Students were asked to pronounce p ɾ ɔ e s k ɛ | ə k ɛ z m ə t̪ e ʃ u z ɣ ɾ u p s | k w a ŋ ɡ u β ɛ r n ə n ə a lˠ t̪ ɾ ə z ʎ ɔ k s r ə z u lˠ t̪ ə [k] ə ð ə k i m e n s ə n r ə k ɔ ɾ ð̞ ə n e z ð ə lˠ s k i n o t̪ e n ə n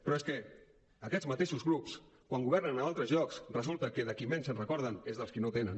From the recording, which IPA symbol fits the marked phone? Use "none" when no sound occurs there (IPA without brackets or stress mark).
k